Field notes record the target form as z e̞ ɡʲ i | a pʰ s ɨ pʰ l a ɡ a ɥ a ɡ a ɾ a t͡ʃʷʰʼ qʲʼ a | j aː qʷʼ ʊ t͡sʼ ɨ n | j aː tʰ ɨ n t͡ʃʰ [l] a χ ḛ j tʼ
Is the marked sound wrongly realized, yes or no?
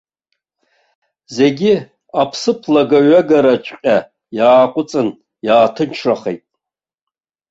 yes